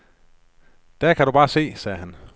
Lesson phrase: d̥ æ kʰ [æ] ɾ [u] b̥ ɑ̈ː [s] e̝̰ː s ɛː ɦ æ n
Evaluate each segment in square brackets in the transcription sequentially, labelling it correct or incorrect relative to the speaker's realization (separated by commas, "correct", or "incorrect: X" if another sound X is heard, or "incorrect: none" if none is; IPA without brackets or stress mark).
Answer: correct, correct, correct